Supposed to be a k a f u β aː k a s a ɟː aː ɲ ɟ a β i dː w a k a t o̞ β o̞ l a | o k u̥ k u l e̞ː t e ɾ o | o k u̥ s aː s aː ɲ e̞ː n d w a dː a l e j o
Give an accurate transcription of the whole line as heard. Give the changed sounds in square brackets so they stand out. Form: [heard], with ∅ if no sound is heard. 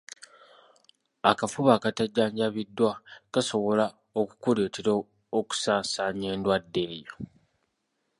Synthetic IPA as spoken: a k a f u β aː k a [t] a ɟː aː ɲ ɟ a β i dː w a k a [s] o̞ β o̞ l a | o k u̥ k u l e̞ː t e ɾ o | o k u̥ s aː s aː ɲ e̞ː n d w a dː [e] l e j o